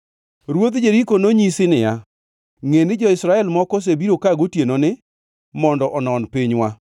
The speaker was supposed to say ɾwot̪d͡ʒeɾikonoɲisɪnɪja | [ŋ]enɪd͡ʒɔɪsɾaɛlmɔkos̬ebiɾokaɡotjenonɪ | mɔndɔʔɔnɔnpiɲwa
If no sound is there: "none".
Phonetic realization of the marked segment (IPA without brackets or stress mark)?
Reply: ŋ